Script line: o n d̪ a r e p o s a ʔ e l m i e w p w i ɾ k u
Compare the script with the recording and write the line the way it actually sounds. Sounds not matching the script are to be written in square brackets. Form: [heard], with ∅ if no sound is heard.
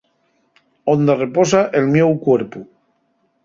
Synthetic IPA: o n d̪ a r e p o s a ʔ e l m [j] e w [k] w [e] ɾ [p] u